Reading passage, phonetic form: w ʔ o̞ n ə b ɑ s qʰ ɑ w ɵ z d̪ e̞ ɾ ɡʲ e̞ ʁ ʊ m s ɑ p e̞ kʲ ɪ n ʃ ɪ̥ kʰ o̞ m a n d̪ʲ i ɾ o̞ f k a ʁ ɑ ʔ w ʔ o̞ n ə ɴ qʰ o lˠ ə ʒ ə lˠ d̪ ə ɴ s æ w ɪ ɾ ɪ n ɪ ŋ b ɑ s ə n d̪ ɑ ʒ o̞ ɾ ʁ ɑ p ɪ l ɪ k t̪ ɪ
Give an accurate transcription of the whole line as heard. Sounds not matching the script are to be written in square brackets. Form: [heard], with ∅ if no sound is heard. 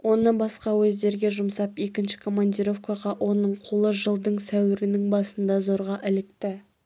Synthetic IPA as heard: w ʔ o̞ n ə b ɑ s [q] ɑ w ɵ z d̪ e̞ ɾ ɡʲ e̞ [ʒ] ʊ m s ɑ p e̞ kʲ ɪ n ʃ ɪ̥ kʰ o̞ m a n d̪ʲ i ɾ o̞ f k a ʁ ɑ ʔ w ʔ o̞ n ə ɴ qʰ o lˠ ə ʒ ə lˠ d̪ ə ɴ s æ w ɪ ɾ ɪ n ɪ ŋ b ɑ s ə n d̪ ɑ [z] o̞ ɾ ʁ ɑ [ʔ] ɪ l ɪ k t̪ ɪ

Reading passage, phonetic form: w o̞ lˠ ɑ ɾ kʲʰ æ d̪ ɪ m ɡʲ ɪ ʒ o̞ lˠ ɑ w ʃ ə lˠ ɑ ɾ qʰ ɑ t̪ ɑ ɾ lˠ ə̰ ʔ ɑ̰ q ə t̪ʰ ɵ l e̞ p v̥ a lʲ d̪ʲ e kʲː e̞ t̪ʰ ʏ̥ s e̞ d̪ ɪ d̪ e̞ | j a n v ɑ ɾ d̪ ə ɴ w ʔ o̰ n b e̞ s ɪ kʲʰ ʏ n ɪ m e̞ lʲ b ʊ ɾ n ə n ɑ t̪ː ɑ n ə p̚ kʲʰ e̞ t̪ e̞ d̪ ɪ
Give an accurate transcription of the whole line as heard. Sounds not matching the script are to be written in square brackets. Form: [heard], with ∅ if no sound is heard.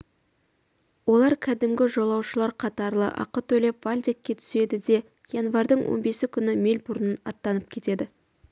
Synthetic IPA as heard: w o̞ lˠ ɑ ɾ kʲʰ æ d̪ ɪ m ɡʲ ɪ ʒ o̞ lˠ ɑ w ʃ ə lˠ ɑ ɾ qʰ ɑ t̪ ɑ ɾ lˠ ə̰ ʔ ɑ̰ q ə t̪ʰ ɵ l e̞ p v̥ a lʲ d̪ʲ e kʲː e̞ t̪ʰ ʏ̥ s e̞ d̪ ɪ d̪ e̞ | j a n v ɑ ɾ d̪ ə ɴ w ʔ o̰ n b e̞ s ɪ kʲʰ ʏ n ɪ m e̞ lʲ b ʊ ɾ n ə n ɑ t̪ː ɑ n ə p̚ kʲʰ e̞ t̪ e̞ d̪ ɪ

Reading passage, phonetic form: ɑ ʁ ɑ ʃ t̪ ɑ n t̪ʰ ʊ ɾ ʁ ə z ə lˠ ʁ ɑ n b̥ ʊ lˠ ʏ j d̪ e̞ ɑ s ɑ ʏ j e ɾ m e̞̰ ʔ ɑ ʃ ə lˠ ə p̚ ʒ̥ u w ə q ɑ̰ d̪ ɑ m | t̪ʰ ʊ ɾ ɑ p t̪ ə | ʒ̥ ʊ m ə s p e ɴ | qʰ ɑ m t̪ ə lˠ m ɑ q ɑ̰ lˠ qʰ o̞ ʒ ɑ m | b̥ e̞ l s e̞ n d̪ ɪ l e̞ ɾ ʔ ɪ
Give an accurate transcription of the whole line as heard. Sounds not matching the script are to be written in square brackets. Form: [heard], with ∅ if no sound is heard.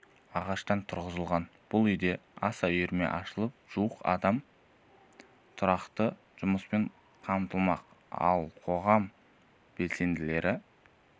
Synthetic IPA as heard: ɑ ʁ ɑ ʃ t̪ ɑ n t̪ʰ ʊ ɾ ʁ ə z ə lˠ ʁ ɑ n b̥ ʊ lˠ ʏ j d̪ e̞ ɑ s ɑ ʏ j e ɾ m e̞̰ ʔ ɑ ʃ ə lˠ ə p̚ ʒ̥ u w ə q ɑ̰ d̪ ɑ m | t̪ʰ ʊ ɾ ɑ [q] t̪ ə | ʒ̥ ʊ m ə s p e ɴ | qʰ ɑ m t̪ ə lˠ m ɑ q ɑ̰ lˠ qʰ o̞ [ʁ] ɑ m | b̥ e̞ l s e̞ n d̪ ɪ l e̞ ɾ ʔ ɪ

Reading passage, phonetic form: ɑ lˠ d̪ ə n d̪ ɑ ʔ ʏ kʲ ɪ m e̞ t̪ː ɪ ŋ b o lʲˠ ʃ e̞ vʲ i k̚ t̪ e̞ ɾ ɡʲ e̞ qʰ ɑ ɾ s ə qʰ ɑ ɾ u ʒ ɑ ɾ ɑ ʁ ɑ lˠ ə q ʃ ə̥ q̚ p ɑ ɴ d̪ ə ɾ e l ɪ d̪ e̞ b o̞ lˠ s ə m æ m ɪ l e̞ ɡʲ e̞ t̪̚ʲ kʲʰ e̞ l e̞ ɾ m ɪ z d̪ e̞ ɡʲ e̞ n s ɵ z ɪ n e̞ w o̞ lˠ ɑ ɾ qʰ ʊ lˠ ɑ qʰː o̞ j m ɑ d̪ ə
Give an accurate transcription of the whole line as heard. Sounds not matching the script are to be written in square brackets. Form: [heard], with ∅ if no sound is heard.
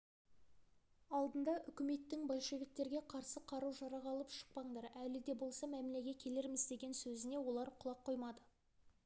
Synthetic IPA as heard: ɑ lˠ d̪ ə n d̪ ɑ ʔ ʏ kʲ ɪ m e̞ t̪ː ɪ ŋ b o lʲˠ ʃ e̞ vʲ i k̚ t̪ e̞ ɾ ɡʲ e̞ qʰ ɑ ɾ s ə qʰ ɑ ɾ u ʒ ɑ ɾ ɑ ʁ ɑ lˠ ə [p] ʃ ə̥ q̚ p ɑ ɴ d̪ [ɑ] ɾ [æ] l ɪ d̪ e̞ b o̞ lˠ s [ɑ] m æ m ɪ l e̞ ɡʲ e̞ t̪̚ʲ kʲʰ e̞ l e̞ ɾ m ɪ z d̪ e̞ ɡʲ e̞ n s ɵ z ɪ n e̞ w o̞ lˠ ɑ ɾ qʰ ʊ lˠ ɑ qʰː o̞ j m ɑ d̪ ə

